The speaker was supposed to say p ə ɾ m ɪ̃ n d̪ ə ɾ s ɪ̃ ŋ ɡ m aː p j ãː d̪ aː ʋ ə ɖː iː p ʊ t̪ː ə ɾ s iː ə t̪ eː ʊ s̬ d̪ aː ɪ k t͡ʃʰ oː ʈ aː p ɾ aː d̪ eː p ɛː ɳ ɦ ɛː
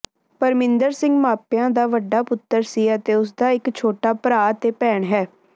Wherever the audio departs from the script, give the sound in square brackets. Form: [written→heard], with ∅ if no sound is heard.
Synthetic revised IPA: p ə ɾ m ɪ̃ n d̪ ə ɾ s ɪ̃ ŋ ɡ m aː p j ãː d̪ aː ʋ ə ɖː [iː→aː] p ʊ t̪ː ə ɾ s iː ə t̪ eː ʊ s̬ d̪ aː ɪ k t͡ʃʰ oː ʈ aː p ɾ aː [d̪→t̪] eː p ɛː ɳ ɦ ɛː